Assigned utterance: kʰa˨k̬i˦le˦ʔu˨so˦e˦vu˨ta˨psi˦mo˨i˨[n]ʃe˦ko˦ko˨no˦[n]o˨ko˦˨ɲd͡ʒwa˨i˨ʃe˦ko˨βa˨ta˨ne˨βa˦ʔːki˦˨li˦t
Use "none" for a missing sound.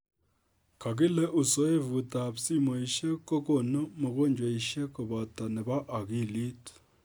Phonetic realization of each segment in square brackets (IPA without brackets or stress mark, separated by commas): none, m